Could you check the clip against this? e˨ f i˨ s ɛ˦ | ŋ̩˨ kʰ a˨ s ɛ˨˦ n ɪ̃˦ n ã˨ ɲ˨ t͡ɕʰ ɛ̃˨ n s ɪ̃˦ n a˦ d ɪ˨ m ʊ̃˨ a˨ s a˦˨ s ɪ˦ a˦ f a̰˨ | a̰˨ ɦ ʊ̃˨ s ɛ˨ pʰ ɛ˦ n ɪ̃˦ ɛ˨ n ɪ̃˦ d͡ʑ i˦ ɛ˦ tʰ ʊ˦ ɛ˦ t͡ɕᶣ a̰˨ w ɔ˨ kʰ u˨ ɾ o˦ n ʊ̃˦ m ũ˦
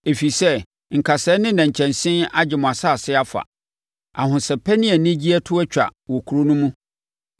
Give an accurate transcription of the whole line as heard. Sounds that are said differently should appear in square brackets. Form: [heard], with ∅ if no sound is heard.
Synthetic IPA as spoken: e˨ f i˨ s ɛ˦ | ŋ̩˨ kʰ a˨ s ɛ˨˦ n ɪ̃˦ n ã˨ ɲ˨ t͡ɕʰ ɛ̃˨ n s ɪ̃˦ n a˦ [d͡ʑ] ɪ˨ m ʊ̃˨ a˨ s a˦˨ s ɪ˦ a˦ f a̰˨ | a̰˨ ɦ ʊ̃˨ s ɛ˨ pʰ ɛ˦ n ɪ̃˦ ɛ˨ n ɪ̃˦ d͡ʑ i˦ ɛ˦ tʰ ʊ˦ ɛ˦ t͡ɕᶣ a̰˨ w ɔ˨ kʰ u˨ ɾ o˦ n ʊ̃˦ m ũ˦

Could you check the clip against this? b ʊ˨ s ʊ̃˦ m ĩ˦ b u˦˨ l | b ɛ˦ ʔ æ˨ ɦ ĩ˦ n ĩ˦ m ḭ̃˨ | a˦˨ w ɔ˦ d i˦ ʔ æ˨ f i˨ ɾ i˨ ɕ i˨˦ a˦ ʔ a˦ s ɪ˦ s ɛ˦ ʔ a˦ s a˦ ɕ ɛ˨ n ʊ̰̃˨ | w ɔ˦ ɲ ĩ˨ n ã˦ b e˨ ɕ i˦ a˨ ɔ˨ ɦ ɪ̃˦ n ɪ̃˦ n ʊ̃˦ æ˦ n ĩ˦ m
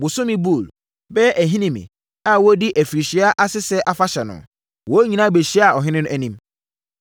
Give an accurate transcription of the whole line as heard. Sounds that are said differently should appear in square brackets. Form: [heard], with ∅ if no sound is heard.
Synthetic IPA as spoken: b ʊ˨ s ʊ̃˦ m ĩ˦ b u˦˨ l | b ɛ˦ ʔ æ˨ ɦ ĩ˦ n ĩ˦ m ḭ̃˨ | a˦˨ w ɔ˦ d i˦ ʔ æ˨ f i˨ ɾ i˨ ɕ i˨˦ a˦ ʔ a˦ s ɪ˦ s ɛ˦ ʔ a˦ [f] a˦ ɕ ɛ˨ n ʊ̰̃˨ | w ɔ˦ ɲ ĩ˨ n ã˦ b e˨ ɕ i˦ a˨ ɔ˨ ɦ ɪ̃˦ n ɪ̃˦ n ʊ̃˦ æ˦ n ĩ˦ m

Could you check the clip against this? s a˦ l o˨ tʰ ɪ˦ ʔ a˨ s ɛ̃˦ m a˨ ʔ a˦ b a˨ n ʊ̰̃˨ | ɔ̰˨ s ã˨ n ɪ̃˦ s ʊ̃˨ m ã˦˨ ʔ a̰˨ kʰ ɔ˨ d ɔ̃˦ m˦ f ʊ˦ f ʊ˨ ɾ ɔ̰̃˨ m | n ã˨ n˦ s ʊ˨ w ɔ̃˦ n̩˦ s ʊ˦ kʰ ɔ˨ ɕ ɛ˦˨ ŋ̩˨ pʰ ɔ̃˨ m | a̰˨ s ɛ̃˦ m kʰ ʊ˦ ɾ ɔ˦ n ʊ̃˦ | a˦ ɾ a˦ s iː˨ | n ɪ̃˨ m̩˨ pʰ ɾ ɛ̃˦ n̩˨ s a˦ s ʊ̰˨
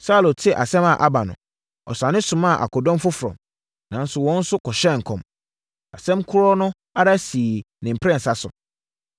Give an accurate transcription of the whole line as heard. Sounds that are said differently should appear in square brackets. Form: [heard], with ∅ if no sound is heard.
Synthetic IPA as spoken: s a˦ l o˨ tʰ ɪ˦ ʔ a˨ s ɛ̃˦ m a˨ ʔ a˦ b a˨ n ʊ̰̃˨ | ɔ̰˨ s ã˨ n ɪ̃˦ s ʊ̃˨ m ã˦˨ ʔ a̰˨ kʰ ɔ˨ d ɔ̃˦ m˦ f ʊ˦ f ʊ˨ ɾ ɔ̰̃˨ m | n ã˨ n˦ s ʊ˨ w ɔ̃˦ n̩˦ s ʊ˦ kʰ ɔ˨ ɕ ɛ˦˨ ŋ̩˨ [kʰ] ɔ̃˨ m | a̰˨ s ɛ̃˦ m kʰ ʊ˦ ɾ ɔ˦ n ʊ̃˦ | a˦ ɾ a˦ s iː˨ | n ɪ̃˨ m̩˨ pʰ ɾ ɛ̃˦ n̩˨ s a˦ s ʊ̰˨

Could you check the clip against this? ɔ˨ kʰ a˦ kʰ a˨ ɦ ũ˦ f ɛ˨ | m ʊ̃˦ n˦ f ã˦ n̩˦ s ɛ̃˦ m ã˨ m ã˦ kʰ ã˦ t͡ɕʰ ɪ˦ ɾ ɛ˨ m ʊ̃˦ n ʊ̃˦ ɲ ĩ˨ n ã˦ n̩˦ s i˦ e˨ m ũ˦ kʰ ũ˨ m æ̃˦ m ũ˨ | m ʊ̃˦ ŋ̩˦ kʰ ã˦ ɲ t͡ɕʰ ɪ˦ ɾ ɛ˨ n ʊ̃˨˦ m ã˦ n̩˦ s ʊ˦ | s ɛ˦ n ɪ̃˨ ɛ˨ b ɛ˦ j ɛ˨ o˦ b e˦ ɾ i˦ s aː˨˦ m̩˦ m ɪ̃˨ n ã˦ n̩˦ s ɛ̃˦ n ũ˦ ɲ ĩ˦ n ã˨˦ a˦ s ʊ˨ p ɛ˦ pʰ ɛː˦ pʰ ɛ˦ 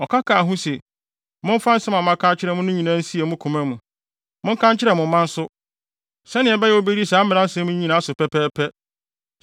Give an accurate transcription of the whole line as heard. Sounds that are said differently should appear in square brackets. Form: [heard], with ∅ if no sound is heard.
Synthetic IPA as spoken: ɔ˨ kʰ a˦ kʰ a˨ ɦ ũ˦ [s] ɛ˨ | m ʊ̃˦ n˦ f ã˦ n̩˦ s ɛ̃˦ m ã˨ m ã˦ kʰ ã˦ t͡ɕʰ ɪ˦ ɾ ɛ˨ m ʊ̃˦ n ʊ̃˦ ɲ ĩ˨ n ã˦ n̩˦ s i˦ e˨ m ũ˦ kʰ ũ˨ m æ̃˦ m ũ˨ | m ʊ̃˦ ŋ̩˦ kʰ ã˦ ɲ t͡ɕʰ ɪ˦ ɾ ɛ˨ [m] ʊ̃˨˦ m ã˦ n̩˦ s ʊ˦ | s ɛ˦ n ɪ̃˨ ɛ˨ b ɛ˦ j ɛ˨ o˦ b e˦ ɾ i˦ s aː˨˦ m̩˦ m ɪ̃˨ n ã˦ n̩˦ s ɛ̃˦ [m] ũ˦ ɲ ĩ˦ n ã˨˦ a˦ s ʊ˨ p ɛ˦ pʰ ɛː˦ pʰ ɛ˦

